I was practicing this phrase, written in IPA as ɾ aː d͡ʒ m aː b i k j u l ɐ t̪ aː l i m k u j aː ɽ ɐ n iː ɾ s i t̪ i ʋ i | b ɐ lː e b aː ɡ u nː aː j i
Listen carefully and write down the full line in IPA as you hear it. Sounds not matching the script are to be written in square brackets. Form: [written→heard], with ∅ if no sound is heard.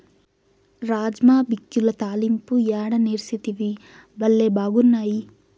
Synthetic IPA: ɾ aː d͡ʒ m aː b i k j u l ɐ t̪ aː l i m [k→p] u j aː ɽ ɐ n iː ɾ s i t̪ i ʋ i | b ɐ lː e b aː ɡ u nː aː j i

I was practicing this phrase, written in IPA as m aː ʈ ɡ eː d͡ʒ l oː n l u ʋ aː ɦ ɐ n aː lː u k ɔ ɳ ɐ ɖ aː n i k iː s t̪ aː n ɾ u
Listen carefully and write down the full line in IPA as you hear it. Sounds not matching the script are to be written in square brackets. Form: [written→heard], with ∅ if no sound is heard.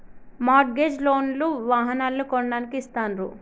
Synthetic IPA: m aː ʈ ɡ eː d͡ʒ l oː n l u ʋ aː ɦ ɐ n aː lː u k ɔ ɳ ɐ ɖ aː n i k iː s t̪ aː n ɾ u

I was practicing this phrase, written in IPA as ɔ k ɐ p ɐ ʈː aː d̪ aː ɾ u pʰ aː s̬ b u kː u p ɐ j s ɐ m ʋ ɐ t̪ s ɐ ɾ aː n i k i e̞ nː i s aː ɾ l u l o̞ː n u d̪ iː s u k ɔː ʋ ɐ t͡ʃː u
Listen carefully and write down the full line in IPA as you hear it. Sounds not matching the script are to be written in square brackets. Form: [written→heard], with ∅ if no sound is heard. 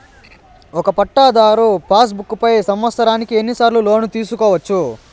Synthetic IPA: ɔ k ɐ p ɐ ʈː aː d̪ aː ɾ u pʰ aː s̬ b u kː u p ɐ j s ɐ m ʋ ɐ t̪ s ɐ ɾ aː n i k i e̞ nː i s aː ɾ l u l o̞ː n u [d̪→t̪] iː s u k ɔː ʋ ɐ t͡ʃː u

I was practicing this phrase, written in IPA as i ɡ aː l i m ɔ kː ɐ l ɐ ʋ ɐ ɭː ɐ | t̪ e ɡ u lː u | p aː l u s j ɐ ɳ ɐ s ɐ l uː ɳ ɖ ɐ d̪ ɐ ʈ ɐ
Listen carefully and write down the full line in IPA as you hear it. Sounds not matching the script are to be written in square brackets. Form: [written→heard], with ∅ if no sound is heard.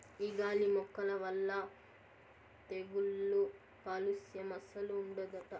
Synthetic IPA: i ɡ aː l i m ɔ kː ɐ l ɐ ʋ ɐ [ɭː→lː] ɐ | t̪ e ɡ u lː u | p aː l u s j ɐ [ɳ→m] ɐ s ɐ l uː ɳ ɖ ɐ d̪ ɐ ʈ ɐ

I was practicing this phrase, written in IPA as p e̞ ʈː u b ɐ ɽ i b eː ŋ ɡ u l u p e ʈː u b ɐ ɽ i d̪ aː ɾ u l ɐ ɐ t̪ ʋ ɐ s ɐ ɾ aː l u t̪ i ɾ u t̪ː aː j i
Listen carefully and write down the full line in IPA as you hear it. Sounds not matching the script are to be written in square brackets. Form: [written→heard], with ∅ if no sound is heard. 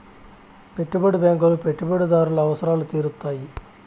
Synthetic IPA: p e̞ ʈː u b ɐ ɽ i b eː ŋ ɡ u l u p e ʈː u b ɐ ɽ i d̪ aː ɾ u l ɐ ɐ [t̪→∅] ʋ ɐ s ɐ ɾ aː l u t̪ [i→iː] ɾ u t̪ː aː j i

